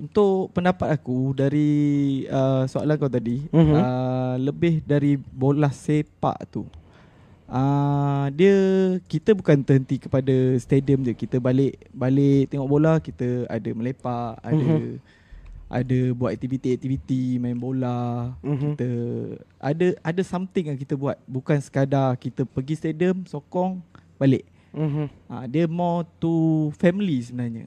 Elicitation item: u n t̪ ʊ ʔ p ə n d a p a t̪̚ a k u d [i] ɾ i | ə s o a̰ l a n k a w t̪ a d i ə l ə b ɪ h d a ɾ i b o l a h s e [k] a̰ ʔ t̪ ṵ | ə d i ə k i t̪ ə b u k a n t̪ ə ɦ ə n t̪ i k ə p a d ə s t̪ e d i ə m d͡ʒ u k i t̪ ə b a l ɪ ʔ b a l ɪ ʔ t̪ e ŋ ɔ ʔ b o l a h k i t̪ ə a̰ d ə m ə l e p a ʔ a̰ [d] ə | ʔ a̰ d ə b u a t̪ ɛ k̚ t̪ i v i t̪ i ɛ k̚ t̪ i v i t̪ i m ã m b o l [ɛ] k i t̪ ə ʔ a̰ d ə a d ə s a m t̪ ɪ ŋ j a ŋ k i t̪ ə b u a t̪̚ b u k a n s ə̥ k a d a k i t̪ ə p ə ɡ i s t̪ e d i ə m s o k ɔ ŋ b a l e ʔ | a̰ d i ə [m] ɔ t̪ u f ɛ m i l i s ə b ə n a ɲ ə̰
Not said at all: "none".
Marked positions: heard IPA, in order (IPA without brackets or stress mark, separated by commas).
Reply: a, p, d, a, m